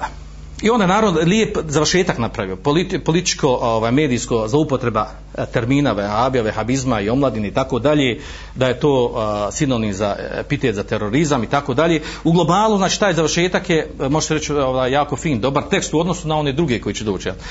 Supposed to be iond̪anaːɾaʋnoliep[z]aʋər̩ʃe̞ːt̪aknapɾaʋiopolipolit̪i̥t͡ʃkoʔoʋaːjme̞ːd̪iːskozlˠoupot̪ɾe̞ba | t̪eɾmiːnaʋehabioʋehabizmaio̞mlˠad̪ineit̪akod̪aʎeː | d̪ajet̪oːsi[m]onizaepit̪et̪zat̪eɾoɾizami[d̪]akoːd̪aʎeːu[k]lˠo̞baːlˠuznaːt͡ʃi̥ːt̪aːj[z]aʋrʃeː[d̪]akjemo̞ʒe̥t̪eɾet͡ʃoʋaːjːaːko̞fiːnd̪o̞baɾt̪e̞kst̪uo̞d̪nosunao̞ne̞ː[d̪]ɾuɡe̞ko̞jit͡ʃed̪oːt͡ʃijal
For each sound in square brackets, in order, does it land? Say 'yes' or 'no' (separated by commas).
yes, no, no, no, yes, no, yes